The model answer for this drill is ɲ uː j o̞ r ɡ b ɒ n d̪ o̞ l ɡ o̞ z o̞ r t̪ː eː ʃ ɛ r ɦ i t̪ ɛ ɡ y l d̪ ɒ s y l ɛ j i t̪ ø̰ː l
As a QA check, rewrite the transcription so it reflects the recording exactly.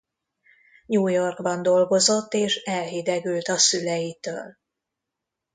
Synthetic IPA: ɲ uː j o̞ r ɡ b ɒ n d̪ o̞ l ɡ o̞ z o̞ t̪ː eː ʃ ɛ l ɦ i d̪ ɛ ɡ y l t̪ ɒ s y l ɛ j i t̪ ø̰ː l